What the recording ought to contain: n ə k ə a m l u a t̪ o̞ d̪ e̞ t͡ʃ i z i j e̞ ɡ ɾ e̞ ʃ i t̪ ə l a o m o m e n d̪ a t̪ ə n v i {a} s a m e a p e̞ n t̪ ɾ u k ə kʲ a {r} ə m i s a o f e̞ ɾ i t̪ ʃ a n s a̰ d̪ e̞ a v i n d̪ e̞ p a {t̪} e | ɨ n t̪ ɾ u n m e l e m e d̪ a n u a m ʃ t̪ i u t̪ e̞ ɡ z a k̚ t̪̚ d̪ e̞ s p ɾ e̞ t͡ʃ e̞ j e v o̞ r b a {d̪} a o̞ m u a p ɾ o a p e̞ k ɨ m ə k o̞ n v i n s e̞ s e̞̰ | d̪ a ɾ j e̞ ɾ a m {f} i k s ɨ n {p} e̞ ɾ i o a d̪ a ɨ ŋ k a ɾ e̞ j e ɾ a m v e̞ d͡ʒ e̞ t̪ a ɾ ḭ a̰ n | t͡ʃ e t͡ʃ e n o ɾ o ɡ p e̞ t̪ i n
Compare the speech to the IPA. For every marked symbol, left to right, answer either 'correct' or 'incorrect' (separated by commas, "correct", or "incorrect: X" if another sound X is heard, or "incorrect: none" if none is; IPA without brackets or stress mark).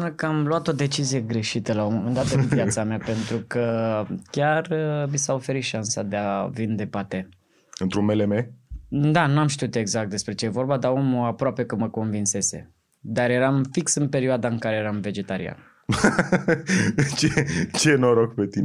correct, correct, correct, correct, correct, correct